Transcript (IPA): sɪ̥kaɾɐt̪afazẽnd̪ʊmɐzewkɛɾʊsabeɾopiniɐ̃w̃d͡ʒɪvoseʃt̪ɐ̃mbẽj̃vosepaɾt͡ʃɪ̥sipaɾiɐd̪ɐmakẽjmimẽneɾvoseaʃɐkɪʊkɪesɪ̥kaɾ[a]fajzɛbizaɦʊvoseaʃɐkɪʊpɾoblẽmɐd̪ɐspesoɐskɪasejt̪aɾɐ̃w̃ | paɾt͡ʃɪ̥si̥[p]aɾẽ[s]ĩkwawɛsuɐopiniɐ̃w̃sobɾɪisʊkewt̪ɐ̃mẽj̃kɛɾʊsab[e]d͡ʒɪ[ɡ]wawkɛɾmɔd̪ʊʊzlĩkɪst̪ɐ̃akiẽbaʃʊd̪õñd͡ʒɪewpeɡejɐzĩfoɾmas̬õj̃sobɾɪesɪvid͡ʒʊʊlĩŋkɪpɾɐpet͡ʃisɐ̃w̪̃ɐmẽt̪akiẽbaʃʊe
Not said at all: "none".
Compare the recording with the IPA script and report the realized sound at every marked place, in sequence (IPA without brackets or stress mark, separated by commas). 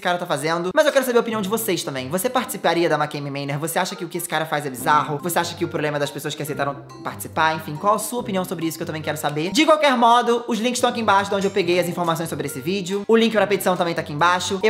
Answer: ɐ, p, f, e, k